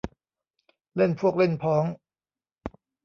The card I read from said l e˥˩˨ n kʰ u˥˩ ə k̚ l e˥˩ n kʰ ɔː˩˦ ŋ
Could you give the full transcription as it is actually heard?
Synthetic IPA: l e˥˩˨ n pʰ u˥˩ ə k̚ l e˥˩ n pʰ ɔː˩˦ ŋ